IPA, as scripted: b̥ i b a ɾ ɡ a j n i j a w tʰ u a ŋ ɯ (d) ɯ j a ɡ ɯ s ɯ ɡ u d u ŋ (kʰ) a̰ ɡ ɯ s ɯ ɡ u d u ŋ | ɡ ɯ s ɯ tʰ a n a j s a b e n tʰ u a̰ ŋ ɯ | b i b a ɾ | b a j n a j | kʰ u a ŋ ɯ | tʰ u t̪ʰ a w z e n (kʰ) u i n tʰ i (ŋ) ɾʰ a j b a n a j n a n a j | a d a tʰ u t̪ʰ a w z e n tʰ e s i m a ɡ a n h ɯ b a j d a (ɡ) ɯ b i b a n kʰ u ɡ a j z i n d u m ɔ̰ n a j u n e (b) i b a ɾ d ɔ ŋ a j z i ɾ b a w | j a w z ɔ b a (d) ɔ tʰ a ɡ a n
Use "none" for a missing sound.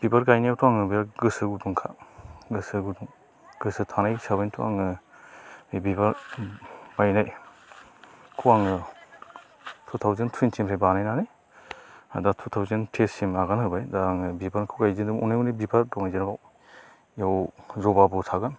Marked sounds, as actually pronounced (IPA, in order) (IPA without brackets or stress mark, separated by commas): b, kʰ, tʰ, m, ŋ, b, b